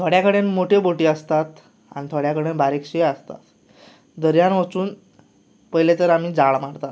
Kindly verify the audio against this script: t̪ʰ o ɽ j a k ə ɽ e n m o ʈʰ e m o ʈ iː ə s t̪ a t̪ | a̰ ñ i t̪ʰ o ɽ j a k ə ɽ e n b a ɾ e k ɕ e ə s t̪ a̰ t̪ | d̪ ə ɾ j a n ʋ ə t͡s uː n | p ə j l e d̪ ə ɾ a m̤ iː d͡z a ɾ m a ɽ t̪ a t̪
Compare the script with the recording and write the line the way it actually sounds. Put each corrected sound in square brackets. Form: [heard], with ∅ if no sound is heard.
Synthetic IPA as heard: t̪ʰ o ɽ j a k ə ɽ e n m o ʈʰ e [b] o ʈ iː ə s t̪ a t̪ | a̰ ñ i t̪ʰ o ɽ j a k ə ɽ e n b a ɾ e k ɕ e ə s t̪ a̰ t̪ | d̪ ə ɾ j a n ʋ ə t͡s uː n | p ə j l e [t̪] ə ɾ a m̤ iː d͡z a [ɭ] m a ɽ t̪ a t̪